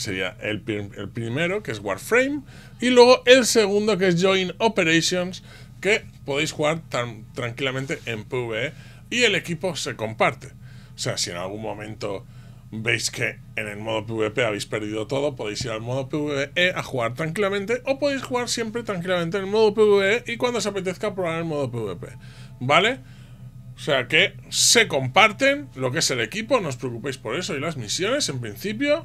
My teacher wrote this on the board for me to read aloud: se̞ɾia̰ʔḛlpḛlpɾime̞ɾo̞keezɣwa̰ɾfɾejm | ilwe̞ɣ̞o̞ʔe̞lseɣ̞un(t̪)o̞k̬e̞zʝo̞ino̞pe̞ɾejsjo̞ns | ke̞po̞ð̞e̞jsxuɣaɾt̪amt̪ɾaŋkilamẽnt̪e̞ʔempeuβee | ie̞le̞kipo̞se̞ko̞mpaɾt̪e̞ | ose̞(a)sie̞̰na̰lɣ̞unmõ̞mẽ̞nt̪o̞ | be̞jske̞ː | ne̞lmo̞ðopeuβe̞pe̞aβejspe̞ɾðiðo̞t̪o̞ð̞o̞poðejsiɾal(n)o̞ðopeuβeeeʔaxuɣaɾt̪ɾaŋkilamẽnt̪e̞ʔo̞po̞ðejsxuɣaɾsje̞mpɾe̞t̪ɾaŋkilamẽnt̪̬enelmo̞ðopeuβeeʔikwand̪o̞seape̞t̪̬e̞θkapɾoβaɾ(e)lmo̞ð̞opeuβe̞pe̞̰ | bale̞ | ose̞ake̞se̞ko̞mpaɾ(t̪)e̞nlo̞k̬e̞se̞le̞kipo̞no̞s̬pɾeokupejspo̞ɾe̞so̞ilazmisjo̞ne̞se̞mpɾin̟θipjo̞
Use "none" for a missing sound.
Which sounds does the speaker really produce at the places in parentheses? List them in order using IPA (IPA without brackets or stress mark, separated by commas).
d̪, a, m, e, t̪